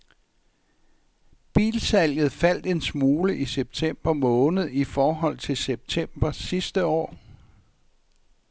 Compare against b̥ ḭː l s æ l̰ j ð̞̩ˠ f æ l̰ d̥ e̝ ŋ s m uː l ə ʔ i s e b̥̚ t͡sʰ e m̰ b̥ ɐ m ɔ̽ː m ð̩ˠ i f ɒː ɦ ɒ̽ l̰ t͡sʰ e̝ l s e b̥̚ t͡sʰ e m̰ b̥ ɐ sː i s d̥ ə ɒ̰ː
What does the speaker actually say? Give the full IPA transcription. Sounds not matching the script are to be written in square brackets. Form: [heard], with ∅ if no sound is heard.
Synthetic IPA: b̥ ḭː l s æ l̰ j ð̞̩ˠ f æ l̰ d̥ e̝ [n] s m uː l ə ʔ i s e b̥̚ t͡sʰ e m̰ b̥ ɐ m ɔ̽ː [n] ð̩ˠ i f ɒː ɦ ɒ̽ l̰ t͡sʰ e̝ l s e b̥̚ t͡sʰ e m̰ b̥ ɐ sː i s d̥ ə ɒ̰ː